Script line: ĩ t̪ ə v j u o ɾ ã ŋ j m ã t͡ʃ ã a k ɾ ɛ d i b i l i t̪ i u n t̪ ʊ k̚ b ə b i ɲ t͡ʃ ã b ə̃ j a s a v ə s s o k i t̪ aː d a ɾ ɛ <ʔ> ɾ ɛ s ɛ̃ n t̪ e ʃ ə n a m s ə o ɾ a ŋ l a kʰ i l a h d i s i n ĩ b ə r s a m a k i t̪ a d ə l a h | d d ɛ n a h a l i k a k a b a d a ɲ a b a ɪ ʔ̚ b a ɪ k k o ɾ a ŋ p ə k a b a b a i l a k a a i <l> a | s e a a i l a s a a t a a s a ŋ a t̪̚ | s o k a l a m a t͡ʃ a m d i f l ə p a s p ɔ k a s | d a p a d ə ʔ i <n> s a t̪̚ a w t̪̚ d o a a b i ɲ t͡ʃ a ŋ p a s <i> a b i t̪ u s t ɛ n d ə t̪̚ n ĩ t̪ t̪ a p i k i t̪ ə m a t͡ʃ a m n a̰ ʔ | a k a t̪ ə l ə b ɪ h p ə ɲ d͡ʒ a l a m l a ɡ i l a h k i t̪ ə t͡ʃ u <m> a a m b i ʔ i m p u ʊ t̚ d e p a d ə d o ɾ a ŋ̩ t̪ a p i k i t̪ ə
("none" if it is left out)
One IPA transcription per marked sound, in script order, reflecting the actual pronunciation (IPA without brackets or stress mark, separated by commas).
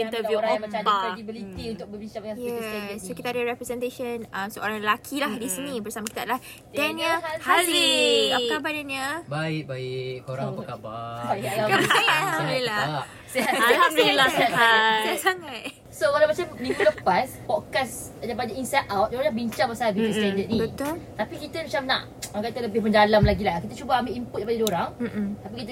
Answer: p, l, n, a, b